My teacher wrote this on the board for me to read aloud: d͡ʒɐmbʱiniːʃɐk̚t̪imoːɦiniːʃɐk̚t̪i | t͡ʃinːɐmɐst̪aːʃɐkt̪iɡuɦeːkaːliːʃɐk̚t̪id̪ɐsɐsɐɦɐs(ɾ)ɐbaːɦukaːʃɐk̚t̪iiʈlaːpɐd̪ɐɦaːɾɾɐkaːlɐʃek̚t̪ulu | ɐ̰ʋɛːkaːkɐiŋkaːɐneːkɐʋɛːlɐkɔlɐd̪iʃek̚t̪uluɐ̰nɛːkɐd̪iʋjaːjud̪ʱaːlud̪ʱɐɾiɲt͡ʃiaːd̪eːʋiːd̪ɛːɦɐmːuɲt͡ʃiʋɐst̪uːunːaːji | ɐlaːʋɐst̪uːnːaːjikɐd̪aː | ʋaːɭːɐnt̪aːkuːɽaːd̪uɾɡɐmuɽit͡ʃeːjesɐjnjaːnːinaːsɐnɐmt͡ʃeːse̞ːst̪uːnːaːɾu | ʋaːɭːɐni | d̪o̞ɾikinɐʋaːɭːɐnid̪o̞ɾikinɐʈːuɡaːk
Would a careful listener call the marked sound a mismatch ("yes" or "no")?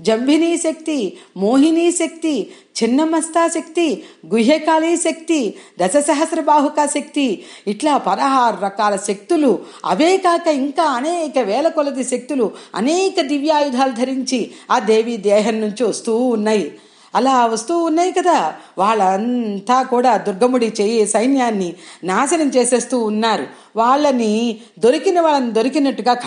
no